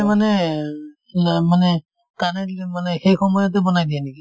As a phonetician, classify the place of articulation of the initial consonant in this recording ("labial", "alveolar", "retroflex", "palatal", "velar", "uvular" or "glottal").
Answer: labial